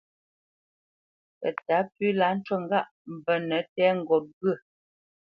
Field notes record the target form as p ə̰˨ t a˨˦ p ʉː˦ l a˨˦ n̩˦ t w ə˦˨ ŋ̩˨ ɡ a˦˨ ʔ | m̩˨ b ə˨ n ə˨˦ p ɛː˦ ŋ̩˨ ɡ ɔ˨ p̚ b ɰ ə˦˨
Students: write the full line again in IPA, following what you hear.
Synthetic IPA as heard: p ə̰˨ t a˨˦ p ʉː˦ l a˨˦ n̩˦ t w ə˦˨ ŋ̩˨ ɡ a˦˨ ʔ | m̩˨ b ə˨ n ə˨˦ t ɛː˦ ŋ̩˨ ɡ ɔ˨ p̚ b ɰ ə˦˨